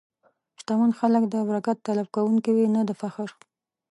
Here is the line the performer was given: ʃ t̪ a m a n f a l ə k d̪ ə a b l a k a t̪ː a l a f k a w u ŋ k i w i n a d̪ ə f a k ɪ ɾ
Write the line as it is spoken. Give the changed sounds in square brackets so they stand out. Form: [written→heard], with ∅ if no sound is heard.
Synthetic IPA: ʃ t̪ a m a n [f→x] a l ə k d̪ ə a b [l→ɾ] a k a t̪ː a l a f k a w u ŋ k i w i n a d̪ ə f a [k→x] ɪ ɾ